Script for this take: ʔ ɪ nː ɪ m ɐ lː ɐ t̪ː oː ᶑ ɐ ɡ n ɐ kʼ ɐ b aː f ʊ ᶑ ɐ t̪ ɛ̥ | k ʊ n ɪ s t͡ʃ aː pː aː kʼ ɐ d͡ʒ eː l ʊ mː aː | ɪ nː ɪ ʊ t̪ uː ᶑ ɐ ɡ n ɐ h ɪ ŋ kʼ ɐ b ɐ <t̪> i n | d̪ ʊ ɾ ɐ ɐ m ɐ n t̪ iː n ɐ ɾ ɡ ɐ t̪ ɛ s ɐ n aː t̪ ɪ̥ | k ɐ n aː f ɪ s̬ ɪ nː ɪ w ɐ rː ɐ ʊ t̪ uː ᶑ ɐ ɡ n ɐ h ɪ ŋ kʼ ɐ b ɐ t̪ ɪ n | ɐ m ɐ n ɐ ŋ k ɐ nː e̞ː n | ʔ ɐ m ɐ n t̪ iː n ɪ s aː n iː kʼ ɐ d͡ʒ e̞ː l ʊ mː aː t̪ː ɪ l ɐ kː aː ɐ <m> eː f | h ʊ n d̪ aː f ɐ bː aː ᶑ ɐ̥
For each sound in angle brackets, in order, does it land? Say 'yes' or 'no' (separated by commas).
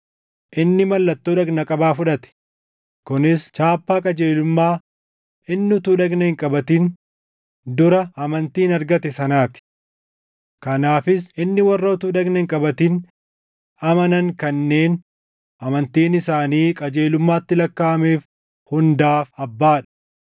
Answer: yes, yes